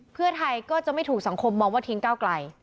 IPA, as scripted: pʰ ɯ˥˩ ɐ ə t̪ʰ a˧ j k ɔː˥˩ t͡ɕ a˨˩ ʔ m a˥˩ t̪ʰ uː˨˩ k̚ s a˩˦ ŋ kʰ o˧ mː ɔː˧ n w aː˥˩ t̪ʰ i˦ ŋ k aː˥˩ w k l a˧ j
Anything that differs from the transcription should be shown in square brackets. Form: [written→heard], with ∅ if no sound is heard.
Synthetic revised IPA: pʰ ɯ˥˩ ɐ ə t̪ʰ a˧ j k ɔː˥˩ t͡ɕ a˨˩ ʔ m a˥˩ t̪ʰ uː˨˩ k̚ s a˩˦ ŋ kʰ o˧ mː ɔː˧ [n→ŋ] w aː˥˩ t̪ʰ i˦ ŋ k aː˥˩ w k l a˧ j